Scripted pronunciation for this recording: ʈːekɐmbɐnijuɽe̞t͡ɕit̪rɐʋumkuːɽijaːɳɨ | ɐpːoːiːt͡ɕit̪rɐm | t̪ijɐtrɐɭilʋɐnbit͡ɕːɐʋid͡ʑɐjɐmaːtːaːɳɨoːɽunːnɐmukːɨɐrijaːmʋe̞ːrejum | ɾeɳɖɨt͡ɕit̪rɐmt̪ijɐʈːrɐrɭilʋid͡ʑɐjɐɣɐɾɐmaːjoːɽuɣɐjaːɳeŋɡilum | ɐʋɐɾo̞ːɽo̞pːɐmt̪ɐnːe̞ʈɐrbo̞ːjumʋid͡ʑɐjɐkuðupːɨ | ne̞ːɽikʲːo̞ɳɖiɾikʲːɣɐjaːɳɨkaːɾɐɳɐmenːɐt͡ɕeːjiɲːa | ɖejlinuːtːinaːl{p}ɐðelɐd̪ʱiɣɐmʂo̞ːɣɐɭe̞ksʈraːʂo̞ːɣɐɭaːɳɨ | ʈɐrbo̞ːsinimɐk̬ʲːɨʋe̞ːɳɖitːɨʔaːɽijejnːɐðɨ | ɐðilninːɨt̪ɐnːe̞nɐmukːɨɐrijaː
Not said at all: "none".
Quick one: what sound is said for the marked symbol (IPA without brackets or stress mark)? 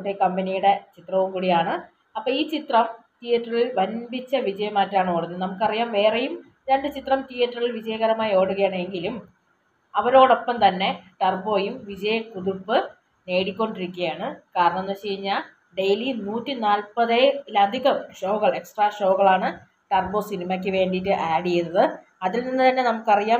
p